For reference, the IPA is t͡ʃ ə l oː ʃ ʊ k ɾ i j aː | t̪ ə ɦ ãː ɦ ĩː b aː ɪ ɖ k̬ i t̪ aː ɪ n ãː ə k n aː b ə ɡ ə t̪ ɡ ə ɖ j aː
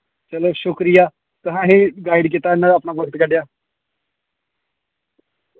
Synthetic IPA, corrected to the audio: t͡ʃ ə l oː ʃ ʊ k ɾ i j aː | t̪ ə ɦ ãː ɦ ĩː ɡ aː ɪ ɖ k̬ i t̪ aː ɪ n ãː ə p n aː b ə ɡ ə t̪ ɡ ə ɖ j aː